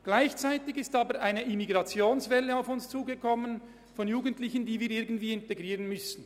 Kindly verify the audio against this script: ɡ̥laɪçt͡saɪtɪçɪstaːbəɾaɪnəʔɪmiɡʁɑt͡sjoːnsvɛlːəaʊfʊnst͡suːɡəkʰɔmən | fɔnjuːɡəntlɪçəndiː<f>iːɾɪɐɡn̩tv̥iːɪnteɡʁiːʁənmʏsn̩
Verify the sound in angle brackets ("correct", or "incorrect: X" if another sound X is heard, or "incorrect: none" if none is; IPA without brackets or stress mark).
incorrect: v